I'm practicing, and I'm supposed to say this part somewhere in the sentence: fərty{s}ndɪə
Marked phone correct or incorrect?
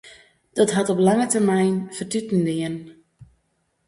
incorrect